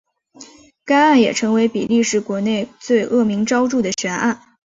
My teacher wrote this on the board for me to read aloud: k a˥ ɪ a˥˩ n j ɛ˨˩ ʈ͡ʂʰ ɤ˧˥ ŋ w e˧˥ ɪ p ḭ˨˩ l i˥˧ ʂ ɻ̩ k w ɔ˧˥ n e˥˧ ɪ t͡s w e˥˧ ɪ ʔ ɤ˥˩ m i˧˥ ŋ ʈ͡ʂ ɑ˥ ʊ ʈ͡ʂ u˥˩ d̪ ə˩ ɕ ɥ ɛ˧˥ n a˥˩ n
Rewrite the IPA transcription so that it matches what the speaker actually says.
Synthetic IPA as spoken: k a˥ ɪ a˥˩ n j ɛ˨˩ ʈ͡ʂʰ ɤ˧˥ ŋ w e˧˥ ɪ p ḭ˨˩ l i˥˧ ʂ ɻ̩ k w ɔ˧˥ n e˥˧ ɪ t͡s w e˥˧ ɪ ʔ ɤ˥˩ m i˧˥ ŋ ʈ͡ʂ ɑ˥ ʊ ʈ͡ʂ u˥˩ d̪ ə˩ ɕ ɥ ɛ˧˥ n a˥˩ n

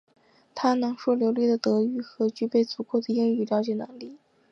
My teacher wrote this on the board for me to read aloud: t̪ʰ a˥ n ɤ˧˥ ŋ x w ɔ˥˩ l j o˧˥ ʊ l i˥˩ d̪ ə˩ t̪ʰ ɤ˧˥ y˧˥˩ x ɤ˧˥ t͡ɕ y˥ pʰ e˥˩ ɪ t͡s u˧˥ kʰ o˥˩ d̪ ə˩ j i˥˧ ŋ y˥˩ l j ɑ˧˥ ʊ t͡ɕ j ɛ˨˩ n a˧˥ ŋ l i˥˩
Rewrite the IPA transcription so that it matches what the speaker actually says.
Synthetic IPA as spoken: t̪ʰ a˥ n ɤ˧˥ ŋ ʂ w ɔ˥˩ l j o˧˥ ʊ l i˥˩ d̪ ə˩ t̪ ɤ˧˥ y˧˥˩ x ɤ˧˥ t͡ɕ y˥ p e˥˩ ɪ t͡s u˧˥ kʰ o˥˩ d̪ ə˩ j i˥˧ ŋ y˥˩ l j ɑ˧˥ ʊ t͡ɕ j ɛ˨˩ n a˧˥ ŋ l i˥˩

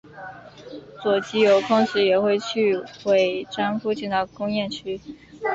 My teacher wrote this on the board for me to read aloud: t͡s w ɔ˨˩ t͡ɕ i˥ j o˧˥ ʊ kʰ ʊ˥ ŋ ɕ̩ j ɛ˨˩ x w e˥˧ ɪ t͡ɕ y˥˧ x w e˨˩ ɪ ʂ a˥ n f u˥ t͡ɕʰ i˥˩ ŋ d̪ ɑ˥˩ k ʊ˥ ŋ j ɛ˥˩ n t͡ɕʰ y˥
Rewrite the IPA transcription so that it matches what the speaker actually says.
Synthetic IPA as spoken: t͡s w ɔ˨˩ t͡ɕ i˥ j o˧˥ ʊ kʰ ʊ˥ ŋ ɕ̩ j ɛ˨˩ x w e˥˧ ɪ t͡ɕʰ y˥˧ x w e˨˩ ɪ ʈ͡ʂ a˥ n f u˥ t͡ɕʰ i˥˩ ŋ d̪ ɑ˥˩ k ʊ˥ ŋ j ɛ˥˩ n t͡ɕʰ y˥

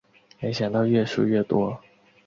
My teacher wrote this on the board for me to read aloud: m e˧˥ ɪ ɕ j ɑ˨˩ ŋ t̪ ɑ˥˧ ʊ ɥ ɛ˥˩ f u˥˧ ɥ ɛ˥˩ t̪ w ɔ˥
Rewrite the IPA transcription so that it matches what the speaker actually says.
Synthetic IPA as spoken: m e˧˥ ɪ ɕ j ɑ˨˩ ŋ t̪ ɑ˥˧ ʊ ɥ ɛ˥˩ ʂ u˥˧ ɥ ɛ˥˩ t̪ w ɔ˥

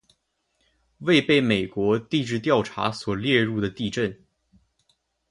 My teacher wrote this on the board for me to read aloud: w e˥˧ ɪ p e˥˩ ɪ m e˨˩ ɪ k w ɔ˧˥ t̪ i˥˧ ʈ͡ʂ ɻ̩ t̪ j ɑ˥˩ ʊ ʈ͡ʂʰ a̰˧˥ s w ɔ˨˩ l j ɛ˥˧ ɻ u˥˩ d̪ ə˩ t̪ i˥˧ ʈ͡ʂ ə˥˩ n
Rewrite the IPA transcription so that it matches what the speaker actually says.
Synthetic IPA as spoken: w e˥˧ ɪ p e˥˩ ɪ m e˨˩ ɪ k w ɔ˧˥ t̪ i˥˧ ʈ͡ʂ ɻ̩ t̪ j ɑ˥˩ ʊ ʈ͡ʂʰ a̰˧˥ s w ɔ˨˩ l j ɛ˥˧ ɻ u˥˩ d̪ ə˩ t̪ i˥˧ ʈ͡ʂ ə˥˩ n

